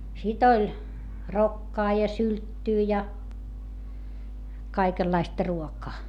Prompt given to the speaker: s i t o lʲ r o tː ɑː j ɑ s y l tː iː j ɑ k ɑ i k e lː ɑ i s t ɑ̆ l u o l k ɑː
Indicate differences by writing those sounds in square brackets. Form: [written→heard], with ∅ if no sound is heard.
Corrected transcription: s i t o lʲ r o [tː→kː] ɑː j ɑ s y l tː [iː→yː] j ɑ k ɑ i k e lː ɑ i s t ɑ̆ [l→r] u o [l→∅] k ɑː